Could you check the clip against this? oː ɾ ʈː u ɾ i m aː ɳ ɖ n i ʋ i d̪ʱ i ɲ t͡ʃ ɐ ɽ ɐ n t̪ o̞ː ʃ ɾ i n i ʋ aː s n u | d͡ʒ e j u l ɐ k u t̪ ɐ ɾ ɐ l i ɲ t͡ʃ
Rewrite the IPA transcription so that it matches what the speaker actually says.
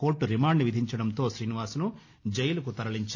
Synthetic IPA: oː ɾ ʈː u ɾ i m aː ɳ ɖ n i ʋ i d̪ʱ i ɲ t͡ʃ ɐ ɽ ɐ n t̪ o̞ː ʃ ɾ iː n i ʋ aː s n u | d͡ʒ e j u l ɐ k u t̪ ɐ ɾ ɐ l i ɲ t͡ʃ